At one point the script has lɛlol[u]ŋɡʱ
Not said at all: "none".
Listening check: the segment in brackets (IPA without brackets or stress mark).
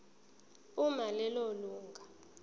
uː